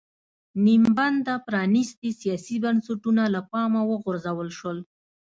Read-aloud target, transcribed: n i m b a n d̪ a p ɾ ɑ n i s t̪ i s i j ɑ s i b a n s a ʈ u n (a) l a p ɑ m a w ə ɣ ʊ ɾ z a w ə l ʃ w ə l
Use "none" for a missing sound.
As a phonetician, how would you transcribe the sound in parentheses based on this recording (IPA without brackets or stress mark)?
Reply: a